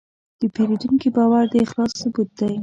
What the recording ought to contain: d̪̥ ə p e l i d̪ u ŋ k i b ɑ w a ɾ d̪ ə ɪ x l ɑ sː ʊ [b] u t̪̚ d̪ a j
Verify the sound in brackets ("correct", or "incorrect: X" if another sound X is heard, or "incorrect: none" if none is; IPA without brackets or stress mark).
correct